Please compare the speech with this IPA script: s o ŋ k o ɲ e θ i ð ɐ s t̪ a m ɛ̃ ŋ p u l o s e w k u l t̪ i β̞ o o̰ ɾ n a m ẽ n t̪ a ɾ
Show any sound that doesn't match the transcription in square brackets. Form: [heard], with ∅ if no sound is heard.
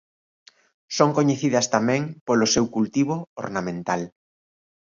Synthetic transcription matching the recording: s o ŋ k o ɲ e θ i ð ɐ s t̪ a m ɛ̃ ŋ p [o] l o s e w k u l t̪ i β̞ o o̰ ɾ n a m ẽ n t̪ a [l]